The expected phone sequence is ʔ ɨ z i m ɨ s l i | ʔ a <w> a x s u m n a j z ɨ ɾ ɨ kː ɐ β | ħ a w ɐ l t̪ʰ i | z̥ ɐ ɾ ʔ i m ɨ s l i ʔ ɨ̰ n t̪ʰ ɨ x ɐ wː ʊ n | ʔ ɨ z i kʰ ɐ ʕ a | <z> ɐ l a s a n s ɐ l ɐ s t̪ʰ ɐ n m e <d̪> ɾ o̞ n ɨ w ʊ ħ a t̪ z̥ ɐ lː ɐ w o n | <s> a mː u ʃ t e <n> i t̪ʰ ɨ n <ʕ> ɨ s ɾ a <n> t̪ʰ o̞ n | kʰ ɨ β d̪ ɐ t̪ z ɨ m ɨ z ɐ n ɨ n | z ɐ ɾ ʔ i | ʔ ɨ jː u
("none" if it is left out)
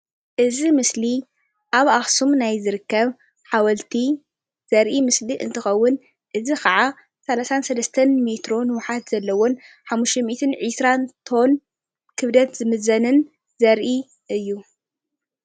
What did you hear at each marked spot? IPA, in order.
β, s, t̪, ħ, m, ʕ, n

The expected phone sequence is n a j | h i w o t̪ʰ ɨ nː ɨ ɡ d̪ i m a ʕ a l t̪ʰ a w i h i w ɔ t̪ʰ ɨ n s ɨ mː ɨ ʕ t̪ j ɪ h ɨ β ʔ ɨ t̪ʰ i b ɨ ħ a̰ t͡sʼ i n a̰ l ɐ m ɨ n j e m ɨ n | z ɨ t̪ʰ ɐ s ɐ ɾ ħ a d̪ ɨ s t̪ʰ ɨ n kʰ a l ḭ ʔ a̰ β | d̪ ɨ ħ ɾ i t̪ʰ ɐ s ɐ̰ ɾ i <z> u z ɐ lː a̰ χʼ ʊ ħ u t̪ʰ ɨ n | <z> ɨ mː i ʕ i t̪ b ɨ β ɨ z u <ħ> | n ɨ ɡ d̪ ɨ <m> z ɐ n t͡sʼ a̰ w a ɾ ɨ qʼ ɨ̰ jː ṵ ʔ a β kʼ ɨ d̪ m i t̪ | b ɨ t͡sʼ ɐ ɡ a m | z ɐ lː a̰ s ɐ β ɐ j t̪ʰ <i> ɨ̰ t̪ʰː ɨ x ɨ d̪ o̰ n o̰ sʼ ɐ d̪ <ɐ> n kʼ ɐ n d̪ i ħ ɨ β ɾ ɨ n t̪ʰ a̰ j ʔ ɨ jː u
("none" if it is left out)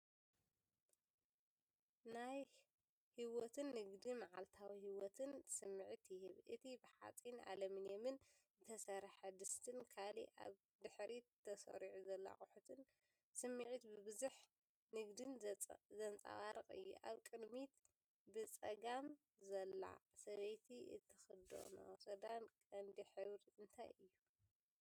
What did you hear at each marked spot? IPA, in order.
ʕ, s, ħ, n, i, a

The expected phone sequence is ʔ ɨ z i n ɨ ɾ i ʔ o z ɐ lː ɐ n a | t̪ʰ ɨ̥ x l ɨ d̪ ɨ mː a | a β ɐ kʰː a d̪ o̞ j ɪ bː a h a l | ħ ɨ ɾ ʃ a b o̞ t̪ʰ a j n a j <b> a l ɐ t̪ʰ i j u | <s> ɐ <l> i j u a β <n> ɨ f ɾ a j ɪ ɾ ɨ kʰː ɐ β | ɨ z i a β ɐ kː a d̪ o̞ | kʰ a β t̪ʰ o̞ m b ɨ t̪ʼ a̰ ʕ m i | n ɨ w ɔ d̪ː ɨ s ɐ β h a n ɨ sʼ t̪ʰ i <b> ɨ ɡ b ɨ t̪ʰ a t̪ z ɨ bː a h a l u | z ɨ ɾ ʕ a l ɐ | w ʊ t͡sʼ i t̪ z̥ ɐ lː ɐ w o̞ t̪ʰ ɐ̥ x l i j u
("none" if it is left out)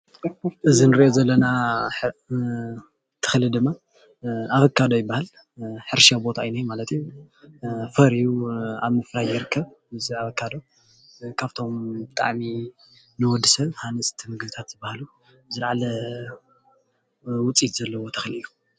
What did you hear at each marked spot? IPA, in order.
m, f, ɾ, m, m

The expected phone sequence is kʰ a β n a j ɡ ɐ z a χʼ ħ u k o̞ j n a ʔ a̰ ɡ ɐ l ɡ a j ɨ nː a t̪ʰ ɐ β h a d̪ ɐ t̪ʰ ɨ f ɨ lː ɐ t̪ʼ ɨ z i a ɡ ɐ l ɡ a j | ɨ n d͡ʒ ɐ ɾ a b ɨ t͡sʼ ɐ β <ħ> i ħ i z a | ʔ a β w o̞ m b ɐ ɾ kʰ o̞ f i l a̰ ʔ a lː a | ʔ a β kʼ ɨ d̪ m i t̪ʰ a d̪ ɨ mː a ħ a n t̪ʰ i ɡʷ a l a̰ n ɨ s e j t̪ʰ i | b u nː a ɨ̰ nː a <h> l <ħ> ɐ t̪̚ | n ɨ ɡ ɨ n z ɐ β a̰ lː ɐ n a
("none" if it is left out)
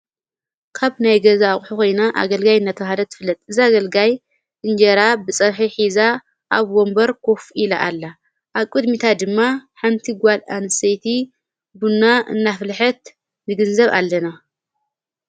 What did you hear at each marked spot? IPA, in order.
ħ, f, ħ

